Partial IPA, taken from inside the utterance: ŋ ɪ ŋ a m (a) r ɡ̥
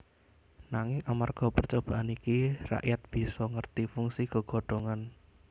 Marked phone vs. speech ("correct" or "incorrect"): correct